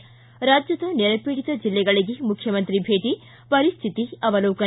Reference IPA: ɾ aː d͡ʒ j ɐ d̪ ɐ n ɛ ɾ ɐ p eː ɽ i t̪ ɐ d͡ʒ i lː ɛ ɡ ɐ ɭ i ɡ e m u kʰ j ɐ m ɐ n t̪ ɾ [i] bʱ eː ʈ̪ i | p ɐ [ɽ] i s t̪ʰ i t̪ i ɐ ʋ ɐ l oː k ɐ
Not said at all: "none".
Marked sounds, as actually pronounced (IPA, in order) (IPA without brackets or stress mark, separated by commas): i, ɾ